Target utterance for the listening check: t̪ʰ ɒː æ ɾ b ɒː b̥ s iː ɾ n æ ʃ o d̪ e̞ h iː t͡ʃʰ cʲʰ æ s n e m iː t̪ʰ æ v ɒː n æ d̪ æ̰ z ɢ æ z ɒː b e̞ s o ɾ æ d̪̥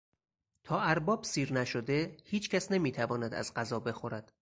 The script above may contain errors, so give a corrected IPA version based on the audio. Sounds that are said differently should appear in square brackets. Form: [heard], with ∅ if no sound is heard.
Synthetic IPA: t̪ʰ ɒː æ ɾ b ɒː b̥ s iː ɾ n æ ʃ o d̪ e̞ h iː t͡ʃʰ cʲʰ æ s n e m iː t̪ʰ æ v ɒː n æ d̪ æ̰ z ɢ æ z ɒː b e̞ [x] o ɾ æ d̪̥